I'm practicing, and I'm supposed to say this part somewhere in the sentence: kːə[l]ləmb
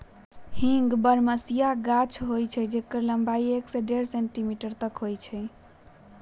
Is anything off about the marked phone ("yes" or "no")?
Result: yes